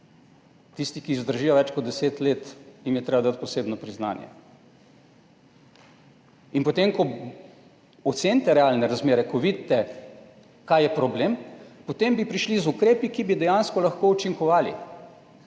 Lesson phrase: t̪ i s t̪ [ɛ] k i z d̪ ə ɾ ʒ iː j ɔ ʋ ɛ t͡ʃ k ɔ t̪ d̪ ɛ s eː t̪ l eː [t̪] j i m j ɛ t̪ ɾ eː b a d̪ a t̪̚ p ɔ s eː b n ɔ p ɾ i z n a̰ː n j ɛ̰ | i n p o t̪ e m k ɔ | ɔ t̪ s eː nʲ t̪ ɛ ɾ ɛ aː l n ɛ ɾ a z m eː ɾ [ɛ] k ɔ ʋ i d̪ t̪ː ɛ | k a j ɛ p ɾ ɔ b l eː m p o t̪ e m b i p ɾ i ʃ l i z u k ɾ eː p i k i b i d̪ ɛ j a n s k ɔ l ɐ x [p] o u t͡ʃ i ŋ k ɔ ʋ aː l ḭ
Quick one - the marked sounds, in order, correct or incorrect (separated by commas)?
incorrect, correct, correct, incorrect